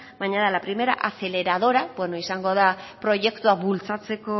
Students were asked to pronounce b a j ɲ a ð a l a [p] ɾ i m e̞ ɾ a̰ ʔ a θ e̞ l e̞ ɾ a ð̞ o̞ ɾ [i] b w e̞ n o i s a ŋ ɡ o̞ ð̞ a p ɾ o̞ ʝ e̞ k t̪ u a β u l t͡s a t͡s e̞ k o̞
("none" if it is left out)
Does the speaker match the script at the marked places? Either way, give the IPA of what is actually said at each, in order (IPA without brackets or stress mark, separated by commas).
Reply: p, a